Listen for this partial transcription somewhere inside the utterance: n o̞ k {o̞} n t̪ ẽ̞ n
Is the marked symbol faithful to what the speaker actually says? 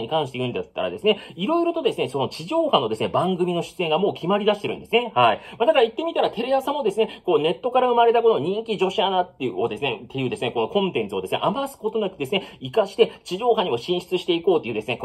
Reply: no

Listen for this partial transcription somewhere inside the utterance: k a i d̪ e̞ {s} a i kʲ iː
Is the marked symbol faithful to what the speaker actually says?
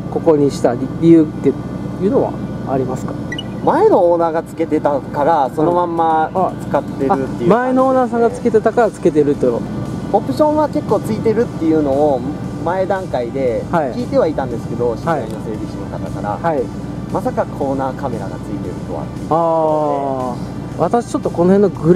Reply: no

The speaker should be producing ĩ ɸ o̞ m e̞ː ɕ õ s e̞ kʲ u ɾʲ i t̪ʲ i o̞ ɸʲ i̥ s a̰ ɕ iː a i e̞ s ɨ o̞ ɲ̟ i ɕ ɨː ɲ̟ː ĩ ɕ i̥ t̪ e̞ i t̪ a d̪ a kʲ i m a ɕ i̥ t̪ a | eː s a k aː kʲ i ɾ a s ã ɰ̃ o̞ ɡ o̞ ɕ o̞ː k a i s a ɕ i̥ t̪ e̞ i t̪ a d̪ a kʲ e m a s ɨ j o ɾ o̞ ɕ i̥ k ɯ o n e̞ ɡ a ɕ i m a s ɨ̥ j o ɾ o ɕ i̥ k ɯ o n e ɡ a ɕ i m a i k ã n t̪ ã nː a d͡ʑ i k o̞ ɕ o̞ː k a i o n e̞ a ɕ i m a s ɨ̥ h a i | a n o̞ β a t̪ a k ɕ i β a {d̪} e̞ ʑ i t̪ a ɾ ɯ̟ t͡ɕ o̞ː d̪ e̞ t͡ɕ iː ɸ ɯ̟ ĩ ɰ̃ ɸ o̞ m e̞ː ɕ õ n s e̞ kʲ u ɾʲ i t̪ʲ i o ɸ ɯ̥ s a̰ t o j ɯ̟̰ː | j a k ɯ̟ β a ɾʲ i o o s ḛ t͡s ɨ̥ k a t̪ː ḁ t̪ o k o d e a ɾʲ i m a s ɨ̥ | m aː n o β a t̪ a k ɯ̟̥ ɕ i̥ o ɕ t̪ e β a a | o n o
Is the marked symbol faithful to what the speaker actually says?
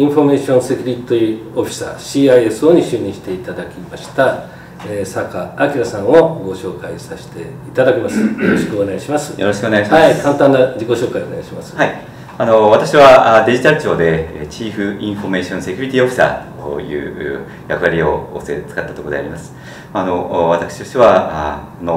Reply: yes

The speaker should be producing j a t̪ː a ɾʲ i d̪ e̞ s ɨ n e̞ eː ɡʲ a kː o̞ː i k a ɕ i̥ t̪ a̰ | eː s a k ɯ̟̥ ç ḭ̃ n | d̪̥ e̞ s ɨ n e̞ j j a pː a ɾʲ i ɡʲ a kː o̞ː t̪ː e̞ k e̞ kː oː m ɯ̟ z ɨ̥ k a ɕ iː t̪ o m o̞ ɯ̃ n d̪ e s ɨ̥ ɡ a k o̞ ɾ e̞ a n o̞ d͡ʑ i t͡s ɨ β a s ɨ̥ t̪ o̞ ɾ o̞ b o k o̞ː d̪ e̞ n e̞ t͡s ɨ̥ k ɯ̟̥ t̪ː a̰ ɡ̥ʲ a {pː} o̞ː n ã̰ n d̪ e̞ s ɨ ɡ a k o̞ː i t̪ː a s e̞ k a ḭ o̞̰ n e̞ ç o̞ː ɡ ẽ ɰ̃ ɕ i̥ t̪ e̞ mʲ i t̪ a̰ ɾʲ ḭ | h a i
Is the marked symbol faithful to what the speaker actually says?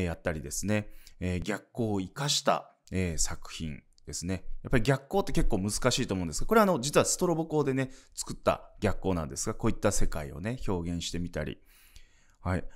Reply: no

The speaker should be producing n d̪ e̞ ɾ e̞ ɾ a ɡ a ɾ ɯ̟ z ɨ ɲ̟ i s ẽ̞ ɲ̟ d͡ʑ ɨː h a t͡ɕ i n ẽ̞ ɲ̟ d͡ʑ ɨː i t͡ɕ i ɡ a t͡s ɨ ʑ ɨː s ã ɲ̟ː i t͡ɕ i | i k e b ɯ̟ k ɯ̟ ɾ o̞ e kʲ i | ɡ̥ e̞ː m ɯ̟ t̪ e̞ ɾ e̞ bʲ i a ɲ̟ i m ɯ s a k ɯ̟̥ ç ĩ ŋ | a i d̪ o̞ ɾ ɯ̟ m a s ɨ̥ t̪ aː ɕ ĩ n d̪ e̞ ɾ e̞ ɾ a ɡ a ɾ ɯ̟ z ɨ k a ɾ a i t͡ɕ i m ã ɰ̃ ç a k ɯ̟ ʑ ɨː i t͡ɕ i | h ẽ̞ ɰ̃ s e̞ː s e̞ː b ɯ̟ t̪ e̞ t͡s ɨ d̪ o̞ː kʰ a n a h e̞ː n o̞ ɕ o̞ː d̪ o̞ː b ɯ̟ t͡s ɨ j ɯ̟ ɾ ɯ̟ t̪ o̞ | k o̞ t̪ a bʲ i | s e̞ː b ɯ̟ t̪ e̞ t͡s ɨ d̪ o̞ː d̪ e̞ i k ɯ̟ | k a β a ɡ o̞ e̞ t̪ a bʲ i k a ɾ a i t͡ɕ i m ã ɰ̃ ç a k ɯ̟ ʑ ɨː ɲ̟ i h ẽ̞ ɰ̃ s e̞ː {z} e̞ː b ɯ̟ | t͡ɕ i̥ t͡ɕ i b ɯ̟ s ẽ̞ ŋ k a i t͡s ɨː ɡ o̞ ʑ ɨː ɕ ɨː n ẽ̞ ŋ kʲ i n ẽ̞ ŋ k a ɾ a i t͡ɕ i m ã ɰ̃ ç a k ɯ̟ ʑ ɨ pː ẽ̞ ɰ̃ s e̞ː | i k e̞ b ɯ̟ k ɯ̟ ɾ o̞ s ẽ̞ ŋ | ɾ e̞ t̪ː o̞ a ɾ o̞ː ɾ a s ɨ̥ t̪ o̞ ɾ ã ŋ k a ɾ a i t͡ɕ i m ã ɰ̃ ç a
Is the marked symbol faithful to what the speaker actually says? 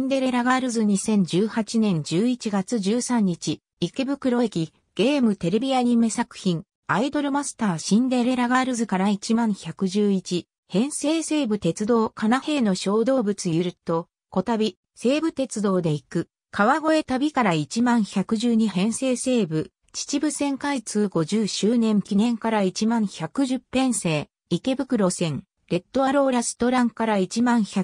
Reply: no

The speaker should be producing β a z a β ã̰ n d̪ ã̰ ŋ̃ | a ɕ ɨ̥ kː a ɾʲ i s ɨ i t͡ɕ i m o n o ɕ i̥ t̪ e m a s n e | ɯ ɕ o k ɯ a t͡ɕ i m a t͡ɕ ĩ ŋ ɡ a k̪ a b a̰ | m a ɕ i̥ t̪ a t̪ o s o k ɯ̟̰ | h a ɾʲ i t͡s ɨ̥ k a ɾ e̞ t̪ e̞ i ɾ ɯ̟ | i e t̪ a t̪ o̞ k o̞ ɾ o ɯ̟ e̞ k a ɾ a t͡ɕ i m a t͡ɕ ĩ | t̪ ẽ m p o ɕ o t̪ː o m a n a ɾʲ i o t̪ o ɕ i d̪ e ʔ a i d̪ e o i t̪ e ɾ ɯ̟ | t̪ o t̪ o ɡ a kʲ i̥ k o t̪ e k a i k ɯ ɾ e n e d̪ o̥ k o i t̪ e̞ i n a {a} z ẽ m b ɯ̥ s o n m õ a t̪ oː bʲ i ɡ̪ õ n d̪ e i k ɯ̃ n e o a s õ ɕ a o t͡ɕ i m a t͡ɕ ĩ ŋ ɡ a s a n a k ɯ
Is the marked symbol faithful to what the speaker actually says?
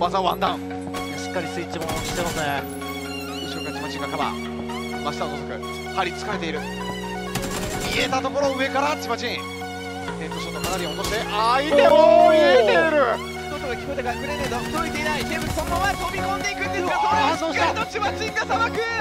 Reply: no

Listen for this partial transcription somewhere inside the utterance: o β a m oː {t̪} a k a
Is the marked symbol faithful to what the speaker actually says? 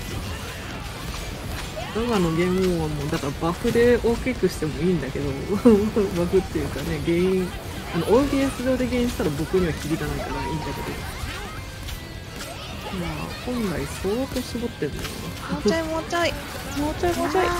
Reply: no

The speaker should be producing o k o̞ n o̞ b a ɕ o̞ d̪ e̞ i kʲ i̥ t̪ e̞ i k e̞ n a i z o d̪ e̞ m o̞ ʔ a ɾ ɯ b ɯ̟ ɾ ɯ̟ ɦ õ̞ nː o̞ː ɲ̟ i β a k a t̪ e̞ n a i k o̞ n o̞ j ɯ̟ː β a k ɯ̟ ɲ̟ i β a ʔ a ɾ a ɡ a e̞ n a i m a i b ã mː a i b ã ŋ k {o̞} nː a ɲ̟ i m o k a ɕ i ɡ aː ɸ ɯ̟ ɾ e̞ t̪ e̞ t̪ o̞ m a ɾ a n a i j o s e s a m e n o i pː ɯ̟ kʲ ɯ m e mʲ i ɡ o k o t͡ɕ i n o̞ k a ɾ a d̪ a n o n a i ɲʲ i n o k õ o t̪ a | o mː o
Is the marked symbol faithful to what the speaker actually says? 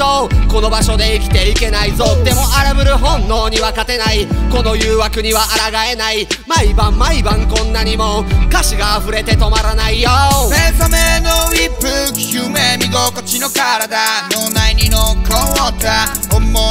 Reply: no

